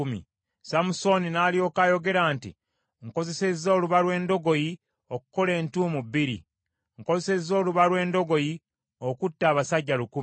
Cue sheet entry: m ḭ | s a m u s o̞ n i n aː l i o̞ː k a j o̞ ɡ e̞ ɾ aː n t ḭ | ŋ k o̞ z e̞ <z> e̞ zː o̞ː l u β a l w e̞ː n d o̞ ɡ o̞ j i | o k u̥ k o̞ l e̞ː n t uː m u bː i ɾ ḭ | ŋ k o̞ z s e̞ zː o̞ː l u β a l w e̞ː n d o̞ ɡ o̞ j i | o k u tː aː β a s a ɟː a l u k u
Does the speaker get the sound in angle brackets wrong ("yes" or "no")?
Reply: yes